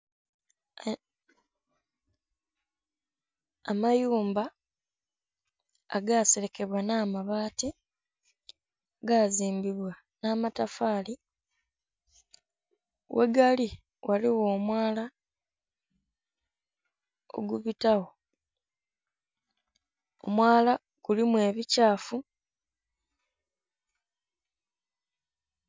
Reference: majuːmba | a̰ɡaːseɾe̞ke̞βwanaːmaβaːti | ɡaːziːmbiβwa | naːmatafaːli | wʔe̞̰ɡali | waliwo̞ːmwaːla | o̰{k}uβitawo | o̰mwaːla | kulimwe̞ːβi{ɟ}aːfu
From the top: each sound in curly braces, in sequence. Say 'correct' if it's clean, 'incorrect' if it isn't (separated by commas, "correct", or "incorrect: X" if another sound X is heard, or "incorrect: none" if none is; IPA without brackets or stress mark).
incorrect: ɡ, incorrect: c